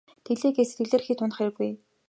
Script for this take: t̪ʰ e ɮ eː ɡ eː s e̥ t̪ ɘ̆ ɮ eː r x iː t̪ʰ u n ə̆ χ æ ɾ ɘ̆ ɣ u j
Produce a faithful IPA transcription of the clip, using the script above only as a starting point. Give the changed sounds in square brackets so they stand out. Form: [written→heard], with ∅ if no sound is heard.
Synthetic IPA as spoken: t̪ʰ e ɮ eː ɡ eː s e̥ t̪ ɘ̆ ɮ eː r x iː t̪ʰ [u→ʊ] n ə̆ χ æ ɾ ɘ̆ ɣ u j